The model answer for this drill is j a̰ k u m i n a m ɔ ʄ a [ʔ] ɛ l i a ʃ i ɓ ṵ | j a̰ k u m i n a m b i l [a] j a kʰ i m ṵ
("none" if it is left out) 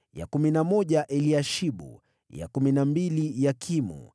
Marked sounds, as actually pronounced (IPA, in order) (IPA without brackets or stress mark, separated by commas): ʔ, i